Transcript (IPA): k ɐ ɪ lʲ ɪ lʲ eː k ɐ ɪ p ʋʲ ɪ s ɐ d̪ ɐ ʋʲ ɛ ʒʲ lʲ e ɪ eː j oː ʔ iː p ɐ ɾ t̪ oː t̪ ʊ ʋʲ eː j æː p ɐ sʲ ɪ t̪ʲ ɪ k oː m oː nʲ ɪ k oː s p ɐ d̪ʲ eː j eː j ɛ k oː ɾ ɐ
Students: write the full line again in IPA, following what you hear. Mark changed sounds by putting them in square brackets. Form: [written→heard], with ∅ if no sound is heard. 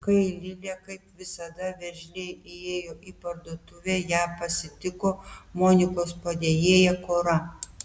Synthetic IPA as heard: k ɐ ɪ lʲ ɪ lʲ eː k ɐ ɪ p ʋʲ ɪ s ɐ d̪ ɐ ʋʲ ɛ ʒʲ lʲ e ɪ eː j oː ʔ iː p ɐ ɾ [t̪→d̪] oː t̪ ʊ ʋʲ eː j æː p ɐ sʲ ɪ t̪ʲ ɪ k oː m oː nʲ ɪ k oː s p ɐ d̪ʲ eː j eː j ɛ k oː ɾ ɐ